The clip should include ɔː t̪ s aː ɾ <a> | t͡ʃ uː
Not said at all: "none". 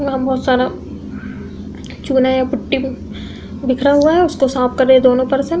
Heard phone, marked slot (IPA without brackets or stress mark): a